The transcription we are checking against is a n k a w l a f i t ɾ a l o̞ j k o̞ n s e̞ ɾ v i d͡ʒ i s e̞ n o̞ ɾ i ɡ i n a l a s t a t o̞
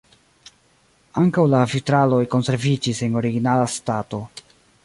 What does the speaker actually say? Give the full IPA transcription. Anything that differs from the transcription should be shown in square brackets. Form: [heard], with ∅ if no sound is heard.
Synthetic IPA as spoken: a [ŋ] k a w l a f i t ɾ a l o̞ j k o̞ n s e̞ ɾ v i d͡ʒ i s e̞ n o̞ ɾ i ɡ i n a l a s t a t o̞

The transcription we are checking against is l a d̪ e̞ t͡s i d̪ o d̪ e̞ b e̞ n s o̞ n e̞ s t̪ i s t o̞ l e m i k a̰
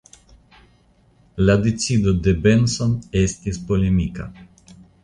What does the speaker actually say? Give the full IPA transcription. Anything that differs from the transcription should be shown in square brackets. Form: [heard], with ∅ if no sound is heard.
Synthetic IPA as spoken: l a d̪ e̞ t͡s i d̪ o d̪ e̞ b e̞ n s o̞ n e̞ s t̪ i s [p] o̞ l e m i k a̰

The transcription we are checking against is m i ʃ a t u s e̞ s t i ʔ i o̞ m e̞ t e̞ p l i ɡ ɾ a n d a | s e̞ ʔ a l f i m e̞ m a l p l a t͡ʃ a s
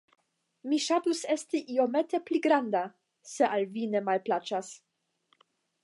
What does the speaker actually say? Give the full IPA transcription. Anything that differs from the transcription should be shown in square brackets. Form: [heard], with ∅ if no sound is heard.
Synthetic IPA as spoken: m i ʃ a t u s e̞ s t i ʔ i o̞ m e̞ t e̞ p l i ɡ ɾ a n d a | s e̞ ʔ a l [v] i [n] e̞ m a l p l a t͡ʃ a s

